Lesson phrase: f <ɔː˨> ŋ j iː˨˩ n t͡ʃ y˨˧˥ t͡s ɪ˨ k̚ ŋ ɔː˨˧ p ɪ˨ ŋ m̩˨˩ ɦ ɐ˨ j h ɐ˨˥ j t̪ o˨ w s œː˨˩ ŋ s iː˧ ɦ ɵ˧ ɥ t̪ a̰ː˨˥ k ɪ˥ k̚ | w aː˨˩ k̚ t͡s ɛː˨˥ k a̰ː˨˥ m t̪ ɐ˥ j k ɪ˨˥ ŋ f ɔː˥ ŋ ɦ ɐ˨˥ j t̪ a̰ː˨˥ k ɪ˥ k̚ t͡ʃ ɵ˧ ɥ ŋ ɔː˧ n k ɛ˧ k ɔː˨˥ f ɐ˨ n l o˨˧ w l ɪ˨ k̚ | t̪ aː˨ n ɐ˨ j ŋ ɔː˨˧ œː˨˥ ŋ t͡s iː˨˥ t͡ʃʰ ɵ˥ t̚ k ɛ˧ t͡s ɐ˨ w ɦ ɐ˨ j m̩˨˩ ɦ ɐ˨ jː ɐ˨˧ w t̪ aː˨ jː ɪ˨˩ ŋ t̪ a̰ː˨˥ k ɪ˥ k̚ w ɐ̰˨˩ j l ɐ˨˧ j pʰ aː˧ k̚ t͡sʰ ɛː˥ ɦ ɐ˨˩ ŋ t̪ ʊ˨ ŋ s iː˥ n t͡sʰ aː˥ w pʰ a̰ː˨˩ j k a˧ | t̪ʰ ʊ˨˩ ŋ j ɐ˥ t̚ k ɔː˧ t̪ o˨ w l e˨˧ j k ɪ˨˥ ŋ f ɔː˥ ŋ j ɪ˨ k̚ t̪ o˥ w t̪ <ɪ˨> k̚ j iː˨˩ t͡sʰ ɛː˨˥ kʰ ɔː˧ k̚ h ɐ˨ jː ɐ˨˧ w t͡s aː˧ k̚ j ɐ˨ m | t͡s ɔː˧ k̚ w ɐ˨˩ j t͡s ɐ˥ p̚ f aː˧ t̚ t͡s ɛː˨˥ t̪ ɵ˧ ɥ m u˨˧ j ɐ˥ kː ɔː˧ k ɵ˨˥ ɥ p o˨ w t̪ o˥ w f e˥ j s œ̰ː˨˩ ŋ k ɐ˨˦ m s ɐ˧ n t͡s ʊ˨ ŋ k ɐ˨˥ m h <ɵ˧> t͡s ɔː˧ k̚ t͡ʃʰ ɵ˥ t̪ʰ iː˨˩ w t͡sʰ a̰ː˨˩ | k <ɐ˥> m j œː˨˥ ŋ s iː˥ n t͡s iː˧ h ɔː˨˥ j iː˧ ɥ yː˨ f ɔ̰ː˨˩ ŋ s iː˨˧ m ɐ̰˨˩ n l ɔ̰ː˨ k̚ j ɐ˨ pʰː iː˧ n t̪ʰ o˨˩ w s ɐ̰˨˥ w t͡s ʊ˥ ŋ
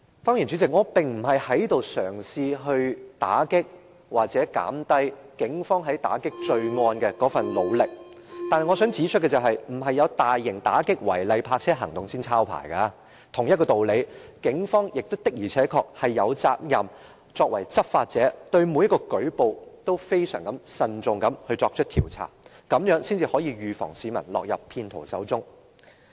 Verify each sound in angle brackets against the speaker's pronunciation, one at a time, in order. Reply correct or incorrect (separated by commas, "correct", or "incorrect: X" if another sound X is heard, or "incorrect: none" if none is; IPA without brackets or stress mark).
incorrect: ɔː˥, incorrect: ɪ˥, correct, incorrect: ɐ˨˧